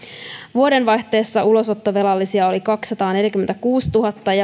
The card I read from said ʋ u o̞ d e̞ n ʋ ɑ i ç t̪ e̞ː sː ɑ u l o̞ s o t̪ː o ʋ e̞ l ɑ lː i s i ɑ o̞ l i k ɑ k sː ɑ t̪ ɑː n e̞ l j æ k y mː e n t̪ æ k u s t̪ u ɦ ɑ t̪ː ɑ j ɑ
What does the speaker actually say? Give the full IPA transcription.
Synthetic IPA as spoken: ʋ u o̞ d e̞ n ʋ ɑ j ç t̪ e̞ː sː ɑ u l o̞ s o t̪ː o ʋ e̞ l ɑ lː i s i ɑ o̞ l i k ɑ k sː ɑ t̪ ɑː n e̞ l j æ k y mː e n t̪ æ k uː s t̪ u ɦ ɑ t̪ː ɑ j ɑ